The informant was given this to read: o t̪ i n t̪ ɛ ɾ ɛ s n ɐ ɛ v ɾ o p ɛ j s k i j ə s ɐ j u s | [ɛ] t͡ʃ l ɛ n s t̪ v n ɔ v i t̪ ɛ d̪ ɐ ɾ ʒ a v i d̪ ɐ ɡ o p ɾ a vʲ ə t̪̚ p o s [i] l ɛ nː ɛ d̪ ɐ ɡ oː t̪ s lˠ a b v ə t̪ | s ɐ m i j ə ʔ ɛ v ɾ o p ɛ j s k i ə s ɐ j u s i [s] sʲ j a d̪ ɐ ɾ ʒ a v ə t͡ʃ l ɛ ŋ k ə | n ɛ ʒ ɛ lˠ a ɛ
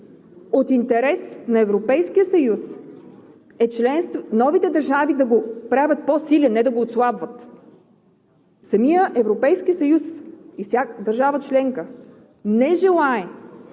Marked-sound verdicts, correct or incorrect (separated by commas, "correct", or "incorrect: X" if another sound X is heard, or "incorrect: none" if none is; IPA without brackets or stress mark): correct, correct, incorrect: f